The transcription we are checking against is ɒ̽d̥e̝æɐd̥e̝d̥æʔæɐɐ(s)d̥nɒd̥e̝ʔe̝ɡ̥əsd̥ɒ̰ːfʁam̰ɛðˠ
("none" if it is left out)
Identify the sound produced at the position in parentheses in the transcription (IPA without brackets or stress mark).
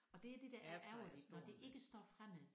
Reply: none